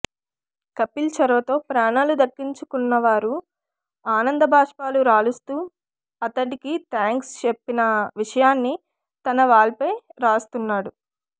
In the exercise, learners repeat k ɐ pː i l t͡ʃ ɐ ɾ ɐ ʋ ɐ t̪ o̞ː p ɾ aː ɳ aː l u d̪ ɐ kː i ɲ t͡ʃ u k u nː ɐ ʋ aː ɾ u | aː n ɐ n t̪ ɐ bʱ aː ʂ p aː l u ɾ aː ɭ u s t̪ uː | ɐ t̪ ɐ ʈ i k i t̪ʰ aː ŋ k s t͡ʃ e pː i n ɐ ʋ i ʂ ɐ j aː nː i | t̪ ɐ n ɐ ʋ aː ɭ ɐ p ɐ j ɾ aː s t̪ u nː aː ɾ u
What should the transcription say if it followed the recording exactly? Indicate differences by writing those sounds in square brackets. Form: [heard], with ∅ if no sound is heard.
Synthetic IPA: k ɐ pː i l t͡ʃ ɐ ɾ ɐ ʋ ɐ t̪ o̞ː p ɾ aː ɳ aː l u d̪ ɐ kː i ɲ t͡ʃ u k u nː ɐ ʋ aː ɾ u | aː n ɐ n [d̪] ɐ bʱ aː ʂ p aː l u ɾ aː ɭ u s t̪ uː | ɐ t̪ ɐ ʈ i k i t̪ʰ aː ŋ k s t͡ʃ e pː i n ɐ ʋ i ʂ ɐ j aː nː i | t̪ ɐ n ɐ ʋ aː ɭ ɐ p ɐ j ɾ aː s t̪ u nː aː [ɽ] u